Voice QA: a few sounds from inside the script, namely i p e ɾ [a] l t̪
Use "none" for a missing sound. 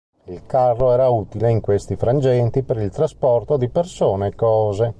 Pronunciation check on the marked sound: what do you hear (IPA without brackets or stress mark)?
i